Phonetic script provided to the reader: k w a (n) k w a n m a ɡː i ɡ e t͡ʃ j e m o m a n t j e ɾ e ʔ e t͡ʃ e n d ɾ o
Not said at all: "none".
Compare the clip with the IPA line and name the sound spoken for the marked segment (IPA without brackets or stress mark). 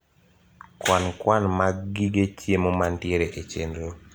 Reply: n